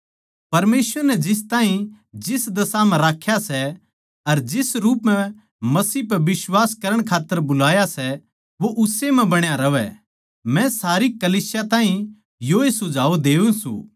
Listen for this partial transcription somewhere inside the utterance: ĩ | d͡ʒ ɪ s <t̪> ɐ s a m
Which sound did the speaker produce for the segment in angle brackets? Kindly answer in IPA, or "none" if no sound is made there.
d̪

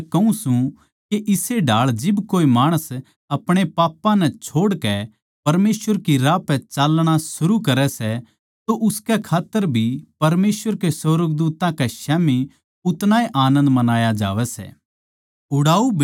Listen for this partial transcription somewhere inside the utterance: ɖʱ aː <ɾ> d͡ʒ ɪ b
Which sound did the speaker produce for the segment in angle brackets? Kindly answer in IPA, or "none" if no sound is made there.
ɭ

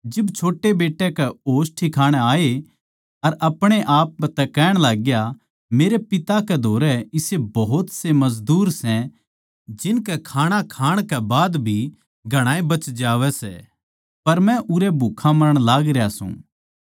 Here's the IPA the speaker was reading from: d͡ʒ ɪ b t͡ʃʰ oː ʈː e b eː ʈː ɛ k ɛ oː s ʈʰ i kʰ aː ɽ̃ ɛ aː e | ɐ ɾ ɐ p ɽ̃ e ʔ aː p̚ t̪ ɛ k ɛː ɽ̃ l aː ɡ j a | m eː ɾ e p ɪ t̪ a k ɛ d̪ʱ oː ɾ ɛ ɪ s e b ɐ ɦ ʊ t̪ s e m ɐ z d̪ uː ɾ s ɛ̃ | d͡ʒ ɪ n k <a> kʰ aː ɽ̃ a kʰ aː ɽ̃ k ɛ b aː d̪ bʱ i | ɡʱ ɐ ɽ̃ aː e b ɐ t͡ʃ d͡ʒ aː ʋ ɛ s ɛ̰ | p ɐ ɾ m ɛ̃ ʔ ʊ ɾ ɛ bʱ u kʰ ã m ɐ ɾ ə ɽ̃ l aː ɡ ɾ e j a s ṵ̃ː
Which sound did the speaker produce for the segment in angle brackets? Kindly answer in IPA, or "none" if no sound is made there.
ɛ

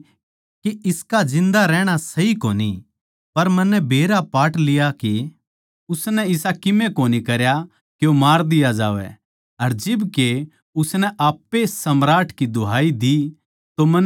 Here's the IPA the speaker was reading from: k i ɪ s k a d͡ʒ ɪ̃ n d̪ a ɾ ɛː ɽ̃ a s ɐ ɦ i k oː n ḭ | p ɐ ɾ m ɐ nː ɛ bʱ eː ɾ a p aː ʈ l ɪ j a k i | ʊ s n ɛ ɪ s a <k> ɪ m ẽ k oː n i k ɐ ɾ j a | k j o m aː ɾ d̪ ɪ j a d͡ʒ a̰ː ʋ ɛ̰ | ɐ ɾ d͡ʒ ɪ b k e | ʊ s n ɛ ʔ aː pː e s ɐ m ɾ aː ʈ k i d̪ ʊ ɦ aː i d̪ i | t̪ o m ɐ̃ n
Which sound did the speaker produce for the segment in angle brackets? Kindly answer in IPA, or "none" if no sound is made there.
k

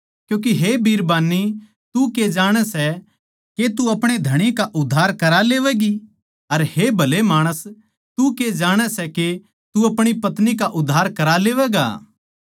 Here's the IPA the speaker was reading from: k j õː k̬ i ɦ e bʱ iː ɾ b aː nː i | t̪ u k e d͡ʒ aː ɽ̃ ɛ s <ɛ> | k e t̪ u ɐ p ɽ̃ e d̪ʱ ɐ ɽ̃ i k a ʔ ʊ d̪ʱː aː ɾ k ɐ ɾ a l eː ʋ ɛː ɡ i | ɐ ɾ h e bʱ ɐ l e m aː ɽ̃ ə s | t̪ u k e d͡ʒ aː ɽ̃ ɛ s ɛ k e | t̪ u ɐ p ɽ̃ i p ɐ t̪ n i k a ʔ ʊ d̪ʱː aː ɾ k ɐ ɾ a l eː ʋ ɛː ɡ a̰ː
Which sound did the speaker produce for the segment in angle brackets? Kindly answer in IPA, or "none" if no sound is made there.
ɛ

